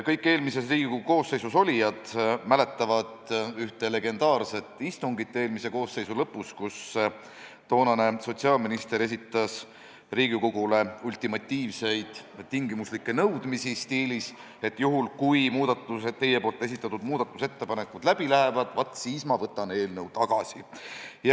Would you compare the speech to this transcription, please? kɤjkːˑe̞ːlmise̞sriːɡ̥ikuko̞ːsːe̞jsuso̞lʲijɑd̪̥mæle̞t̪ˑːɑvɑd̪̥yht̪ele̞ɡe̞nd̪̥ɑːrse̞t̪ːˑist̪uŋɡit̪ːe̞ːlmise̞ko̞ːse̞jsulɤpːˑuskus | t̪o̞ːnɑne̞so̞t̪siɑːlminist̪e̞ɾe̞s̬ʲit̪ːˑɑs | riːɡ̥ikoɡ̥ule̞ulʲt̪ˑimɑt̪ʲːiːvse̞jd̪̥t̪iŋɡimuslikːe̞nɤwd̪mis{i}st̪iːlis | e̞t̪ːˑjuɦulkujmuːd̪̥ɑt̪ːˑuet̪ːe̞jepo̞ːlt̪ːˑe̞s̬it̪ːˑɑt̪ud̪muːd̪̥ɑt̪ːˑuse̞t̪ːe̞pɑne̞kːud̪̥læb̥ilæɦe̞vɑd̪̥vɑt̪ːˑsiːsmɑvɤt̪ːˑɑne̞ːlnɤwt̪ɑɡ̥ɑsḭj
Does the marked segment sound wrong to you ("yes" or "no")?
no